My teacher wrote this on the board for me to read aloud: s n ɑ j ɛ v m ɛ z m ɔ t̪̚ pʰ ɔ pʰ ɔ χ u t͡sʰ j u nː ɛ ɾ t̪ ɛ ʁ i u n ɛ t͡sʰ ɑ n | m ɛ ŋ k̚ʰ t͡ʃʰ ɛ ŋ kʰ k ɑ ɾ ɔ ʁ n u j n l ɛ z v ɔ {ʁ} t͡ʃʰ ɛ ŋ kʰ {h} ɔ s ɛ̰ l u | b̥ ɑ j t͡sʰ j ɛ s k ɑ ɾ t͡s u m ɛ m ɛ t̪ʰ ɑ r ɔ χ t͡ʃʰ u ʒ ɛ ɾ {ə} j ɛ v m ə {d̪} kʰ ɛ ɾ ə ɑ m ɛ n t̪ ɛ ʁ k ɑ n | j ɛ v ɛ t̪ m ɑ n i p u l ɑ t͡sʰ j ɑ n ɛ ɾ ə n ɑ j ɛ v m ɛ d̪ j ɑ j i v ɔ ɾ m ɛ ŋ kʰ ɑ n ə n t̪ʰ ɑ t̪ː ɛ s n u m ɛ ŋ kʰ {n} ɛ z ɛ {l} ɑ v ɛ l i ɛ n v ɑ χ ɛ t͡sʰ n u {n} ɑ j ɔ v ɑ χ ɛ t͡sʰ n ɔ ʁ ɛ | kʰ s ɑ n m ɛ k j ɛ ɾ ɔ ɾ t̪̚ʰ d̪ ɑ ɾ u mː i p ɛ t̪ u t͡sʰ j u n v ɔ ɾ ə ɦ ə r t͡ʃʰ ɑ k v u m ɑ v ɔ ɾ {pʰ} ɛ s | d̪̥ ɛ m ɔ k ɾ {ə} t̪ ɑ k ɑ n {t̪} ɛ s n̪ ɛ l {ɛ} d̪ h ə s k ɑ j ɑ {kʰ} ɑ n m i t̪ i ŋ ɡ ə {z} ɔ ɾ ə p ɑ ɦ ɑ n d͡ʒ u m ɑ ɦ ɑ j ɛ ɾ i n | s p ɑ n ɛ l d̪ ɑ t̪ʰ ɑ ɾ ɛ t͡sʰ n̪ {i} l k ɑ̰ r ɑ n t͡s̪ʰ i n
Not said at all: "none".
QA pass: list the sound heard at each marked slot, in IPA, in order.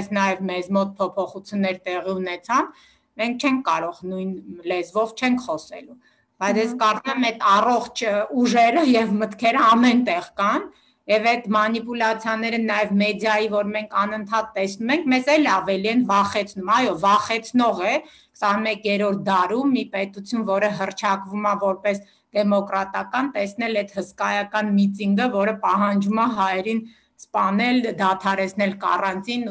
v, χ, ə, t̪, m, l, m, p, ɑ, t̪, ɛ, k, v, ɛ

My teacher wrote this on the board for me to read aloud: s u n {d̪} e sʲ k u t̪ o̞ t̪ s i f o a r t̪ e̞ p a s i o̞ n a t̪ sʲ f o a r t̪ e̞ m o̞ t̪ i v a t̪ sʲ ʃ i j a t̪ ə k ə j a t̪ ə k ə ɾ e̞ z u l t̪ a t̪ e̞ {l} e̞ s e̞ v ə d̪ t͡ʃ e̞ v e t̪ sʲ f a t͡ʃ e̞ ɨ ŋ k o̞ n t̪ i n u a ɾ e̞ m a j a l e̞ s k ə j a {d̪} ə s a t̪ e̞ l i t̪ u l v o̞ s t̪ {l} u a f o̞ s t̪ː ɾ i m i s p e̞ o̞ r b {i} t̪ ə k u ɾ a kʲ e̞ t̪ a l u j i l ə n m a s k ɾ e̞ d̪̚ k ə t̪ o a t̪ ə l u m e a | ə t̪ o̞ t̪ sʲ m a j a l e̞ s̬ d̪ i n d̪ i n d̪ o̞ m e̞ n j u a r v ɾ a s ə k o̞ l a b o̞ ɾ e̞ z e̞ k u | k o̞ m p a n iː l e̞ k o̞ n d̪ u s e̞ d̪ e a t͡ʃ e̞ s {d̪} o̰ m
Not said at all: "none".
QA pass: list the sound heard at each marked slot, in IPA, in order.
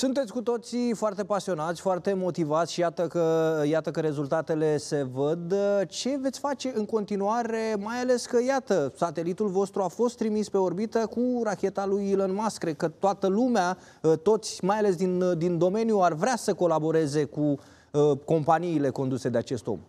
t̪, l, t̪, ɾ, i, t̪

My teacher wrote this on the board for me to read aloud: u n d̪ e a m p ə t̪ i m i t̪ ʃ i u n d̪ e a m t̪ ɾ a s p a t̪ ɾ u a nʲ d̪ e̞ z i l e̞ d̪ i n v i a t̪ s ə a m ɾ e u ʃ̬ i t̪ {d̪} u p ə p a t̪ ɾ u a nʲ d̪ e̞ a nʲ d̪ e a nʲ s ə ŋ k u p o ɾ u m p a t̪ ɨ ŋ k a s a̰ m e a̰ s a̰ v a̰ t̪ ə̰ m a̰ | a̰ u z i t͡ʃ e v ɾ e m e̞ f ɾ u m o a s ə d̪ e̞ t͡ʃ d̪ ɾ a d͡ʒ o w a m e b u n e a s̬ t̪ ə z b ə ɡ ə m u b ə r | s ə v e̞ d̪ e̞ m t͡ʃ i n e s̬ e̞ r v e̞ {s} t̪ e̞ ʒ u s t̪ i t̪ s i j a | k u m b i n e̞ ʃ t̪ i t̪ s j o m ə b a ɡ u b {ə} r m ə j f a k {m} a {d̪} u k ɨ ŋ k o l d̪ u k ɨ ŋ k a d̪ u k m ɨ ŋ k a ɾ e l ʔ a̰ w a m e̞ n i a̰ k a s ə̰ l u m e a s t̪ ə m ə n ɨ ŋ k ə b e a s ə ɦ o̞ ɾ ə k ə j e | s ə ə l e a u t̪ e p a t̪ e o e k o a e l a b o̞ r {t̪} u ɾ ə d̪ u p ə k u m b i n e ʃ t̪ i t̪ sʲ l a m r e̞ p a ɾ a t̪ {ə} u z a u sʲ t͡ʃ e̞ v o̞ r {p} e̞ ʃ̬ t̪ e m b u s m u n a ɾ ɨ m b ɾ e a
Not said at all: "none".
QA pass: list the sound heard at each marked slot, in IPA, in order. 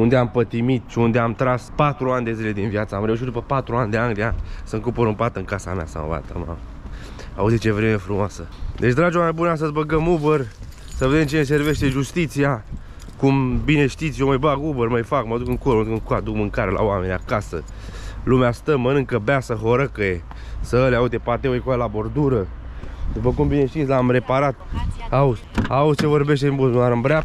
d̪, ʃ, ə, m, d̪, d̪, a, b

